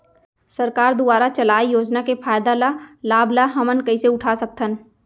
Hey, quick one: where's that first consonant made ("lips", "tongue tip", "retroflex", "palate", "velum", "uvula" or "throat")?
tongue tip